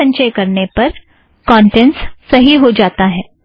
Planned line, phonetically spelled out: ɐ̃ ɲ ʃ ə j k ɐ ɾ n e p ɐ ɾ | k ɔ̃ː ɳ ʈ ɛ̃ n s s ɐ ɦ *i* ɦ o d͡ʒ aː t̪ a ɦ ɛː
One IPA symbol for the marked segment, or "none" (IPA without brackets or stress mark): i